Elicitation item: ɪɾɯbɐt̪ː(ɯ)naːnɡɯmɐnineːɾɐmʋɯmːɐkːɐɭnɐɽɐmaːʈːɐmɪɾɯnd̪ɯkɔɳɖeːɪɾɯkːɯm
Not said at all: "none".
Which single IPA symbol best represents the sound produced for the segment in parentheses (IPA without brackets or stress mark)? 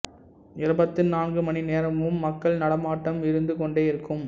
ɯ